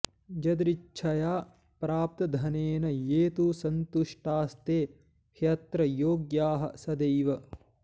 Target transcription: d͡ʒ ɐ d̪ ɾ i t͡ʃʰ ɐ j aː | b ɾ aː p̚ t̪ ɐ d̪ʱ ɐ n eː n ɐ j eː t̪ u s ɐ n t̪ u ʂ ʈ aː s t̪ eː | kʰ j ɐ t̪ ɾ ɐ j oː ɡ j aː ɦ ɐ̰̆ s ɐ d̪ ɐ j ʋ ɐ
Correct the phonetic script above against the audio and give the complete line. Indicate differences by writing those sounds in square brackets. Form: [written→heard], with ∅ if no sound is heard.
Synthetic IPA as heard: d͡ʒ ɐ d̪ ɾ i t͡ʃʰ ɐ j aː | [b→p] ɾ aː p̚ t̪ ɐ d̪ʱ ɐ n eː n ɐ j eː t̪ u s ɐ n t̪ u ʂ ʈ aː s t̪ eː | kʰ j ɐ t̪ ɾ ɐ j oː ɡ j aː ɦ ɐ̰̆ s ɐ d̪ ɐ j ʋ ɐ